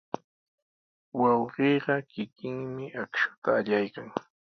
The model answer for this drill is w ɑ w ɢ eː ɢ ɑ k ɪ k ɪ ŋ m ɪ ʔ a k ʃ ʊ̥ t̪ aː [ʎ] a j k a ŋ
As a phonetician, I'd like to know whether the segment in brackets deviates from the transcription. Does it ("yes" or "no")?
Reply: no